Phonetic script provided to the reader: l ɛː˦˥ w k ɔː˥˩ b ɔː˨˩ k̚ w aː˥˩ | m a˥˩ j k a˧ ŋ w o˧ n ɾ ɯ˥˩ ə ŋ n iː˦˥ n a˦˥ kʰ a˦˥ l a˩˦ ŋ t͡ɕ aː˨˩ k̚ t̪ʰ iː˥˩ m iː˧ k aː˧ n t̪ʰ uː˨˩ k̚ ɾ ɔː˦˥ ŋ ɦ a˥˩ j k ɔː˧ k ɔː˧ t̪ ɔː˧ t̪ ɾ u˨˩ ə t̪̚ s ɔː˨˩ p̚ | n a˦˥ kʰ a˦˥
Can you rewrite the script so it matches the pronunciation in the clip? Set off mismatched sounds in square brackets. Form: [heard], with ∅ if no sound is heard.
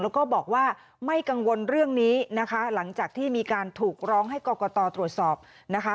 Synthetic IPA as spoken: l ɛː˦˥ w k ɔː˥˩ b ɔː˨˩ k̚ w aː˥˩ | m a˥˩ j k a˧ ŋ w o˧ n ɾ ɯ˥˩ ə ŋ n iː˦˥ n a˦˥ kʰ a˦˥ l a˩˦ ŋ t͡ɕ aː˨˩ k̚ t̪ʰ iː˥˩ m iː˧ k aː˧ n t̪ʰ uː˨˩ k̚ ɾ ɔː˦˥ ŋ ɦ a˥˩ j k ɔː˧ k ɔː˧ t̪ ɔː˧ t̪ ɾ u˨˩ ə t̪̚ s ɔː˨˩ p̚ | n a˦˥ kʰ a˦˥